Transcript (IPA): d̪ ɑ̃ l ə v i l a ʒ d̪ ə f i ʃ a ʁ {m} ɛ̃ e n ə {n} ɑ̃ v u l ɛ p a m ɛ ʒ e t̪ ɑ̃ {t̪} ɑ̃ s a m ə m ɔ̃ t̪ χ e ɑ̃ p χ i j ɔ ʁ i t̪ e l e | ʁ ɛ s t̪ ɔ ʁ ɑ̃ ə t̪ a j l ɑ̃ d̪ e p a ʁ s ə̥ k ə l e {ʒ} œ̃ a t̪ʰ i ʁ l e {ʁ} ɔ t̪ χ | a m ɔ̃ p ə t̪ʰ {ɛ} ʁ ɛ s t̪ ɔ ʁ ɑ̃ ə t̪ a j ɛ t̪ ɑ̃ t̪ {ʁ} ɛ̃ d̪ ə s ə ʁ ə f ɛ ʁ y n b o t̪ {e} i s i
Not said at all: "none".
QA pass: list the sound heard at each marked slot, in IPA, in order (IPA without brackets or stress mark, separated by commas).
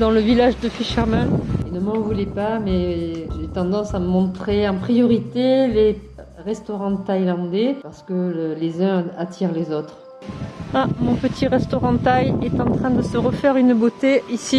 m, m, d̪, z, z, i, χ, e